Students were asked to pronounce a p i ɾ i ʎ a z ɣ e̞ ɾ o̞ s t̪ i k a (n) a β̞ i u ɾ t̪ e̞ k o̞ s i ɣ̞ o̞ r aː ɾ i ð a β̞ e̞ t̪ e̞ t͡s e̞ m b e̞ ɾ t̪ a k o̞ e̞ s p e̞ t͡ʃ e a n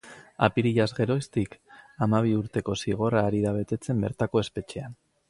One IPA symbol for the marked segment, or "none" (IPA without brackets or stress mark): m